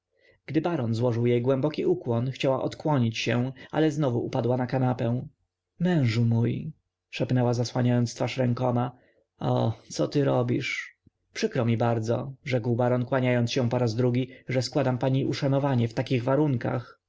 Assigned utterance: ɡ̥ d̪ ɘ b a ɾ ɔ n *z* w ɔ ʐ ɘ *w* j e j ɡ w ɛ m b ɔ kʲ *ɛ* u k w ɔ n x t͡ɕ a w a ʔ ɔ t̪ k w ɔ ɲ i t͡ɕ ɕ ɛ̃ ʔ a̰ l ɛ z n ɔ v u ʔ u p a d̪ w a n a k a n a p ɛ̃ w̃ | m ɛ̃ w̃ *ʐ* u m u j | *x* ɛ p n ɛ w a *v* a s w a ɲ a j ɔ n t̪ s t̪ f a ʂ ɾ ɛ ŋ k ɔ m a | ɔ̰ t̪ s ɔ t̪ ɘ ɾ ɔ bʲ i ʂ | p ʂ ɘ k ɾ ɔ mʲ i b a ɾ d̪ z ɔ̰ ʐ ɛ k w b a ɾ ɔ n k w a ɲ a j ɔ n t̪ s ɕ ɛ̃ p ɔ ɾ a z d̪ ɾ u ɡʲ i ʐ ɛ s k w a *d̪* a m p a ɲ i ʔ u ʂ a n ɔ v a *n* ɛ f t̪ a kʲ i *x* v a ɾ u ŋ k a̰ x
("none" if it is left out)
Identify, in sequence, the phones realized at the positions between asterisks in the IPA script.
z, w, i, ʐ, ʂ, z, d̪, ɲ, ɣ

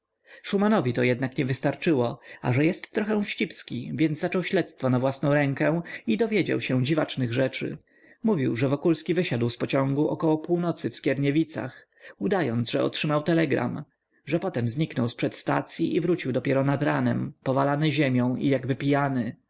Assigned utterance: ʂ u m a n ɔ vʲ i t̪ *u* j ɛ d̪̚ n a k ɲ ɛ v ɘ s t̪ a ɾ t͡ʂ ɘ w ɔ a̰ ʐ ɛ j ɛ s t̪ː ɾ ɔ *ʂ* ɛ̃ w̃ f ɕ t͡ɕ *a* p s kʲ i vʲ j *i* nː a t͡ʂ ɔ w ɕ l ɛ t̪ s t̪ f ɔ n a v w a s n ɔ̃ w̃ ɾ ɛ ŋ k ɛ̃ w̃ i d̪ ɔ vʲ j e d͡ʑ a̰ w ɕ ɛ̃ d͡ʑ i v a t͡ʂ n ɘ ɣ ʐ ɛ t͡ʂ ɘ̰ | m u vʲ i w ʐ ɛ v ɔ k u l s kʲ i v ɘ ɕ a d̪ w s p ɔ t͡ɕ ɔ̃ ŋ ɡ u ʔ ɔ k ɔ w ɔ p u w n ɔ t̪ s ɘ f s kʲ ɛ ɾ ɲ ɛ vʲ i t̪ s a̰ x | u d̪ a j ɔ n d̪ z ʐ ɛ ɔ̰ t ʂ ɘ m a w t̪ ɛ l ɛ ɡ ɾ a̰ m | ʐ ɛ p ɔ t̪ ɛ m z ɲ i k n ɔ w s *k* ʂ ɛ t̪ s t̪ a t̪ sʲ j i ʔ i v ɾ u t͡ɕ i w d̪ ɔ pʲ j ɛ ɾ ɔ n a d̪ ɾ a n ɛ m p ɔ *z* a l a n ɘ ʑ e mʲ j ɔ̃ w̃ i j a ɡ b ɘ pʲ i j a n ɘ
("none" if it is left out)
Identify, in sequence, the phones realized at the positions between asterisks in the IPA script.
ɔ, x, i, ɛ, p, v

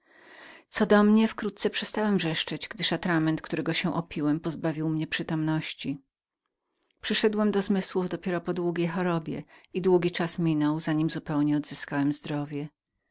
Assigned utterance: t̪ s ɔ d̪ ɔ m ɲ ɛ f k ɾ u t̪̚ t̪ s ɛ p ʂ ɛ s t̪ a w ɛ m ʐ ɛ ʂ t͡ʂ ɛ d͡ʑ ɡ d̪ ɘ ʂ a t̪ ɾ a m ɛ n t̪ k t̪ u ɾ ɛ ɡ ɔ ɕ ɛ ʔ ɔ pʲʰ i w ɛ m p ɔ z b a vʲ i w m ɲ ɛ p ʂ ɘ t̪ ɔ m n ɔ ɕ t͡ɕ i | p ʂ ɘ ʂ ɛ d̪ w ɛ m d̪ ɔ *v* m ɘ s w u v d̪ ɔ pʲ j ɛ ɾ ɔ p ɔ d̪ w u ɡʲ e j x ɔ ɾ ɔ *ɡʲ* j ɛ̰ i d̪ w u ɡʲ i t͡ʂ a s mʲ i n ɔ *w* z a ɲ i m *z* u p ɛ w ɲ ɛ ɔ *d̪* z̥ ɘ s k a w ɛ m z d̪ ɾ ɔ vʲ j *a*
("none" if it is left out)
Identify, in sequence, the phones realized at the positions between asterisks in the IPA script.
z, bʲ, w, z, d̪, ɛ

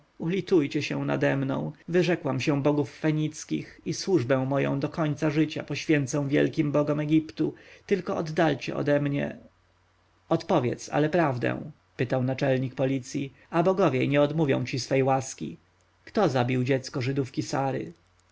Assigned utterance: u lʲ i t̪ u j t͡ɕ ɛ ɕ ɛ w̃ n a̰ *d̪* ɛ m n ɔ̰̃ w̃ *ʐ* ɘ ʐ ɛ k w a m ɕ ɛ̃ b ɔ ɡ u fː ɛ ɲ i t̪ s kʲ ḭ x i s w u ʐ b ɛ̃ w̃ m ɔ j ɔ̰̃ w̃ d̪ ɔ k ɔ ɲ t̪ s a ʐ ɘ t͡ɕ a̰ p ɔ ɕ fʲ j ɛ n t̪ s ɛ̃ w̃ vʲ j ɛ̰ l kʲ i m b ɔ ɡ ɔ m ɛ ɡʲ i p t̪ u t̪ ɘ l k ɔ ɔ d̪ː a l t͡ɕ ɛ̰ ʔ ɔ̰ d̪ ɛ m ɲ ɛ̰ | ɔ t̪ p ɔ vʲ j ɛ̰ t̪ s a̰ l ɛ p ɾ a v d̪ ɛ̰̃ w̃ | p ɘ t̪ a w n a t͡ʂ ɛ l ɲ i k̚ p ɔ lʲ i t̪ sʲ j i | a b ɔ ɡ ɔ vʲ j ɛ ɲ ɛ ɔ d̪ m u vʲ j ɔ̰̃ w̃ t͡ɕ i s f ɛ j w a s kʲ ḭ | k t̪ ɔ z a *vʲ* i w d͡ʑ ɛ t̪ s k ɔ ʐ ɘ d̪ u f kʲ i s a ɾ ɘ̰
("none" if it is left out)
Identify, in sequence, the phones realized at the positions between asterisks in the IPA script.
d̪, v, bʲ

